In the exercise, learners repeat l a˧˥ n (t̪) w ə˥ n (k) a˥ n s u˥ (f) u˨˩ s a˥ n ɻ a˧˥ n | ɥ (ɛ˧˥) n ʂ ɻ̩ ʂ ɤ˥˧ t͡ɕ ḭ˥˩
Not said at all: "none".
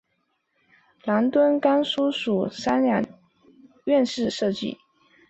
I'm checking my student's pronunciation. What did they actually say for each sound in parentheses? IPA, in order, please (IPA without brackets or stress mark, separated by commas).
t̪, k, ʂ, ɛ˥˧